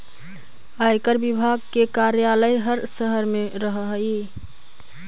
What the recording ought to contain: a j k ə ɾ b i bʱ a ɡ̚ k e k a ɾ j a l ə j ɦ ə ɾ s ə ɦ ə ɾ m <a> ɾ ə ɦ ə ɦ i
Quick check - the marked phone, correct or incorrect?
incorrect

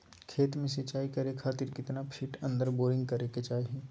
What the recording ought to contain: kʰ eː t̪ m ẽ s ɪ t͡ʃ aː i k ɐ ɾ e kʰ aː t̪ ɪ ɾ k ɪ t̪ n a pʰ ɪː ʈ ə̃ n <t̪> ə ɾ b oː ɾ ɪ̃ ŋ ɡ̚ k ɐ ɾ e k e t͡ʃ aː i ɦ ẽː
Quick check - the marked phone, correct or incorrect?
incorrect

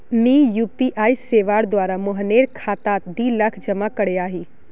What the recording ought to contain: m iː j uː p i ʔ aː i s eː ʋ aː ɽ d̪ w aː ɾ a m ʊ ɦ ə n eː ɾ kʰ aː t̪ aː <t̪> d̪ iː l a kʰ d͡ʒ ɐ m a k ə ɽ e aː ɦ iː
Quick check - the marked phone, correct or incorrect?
correct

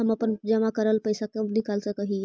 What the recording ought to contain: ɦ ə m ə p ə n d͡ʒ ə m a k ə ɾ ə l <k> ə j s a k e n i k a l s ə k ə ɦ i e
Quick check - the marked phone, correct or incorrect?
incorrect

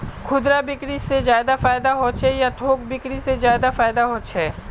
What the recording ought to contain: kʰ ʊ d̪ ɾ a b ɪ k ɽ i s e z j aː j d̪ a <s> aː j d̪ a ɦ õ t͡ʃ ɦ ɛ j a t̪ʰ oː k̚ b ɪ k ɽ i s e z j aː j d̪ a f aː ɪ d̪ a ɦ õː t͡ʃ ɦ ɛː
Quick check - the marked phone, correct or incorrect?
incorrect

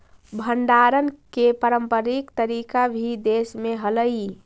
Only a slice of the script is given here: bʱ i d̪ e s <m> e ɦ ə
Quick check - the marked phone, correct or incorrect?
correct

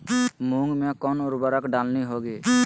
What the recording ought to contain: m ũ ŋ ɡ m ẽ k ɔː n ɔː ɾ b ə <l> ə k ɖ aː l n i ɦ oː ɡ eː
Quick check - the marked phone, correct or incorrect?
incorrect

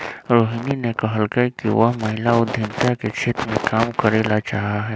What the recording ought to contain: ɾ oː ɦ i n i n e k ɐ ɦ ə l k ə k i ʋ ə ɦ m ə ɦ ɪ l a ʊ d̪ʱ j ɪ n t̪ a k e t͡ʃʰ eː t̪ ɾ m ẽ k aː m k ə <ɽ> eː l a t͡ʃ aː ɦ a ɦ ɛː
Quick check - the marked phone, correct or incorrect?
incorrect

